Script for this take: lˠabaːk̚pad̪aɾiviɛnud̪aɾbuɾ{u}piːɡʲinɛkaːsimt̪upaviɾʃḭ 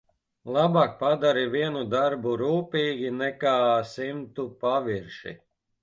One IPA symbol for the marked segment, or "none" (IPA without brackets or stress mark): uː